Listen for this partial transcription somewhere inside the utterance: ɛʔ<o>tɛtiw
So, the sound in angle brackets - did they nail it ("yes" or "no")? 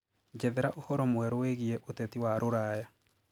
yes